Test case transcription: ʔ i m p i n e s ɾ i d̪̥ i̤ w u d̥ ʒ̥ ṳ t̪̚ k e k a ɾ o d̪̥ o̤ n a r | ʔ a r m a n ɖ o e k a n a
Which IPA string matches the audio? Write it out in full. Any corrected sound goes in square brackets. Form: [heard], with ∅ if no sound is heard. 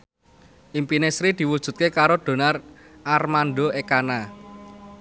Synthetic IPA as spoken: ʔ i m p i n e s ɾ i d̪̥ i̤ w u d̥ ʒ̥ ṳ t̪̚ k e k a ɾ o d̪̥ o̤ n a r | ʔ a r m a n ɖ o e k a n a